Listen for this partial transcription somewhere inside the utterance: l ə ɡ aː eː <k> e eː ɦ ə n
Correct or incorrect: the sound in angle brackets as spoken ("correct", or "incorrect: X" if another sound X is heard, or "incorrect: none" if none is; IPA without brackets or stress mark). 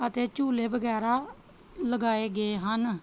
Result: incorrect: ɡ